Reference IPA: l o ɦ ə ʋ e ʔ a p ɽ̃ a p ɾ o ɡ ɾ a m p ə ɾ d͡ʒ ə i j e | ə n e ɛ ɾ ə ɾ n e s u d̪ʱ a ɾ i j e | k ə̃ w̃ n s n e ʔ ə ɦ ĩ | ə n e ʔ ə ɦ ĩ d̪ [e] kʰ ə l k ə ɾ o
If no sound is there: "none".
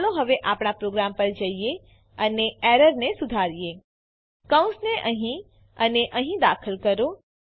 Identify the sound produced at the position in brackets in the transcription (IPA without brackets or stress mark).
a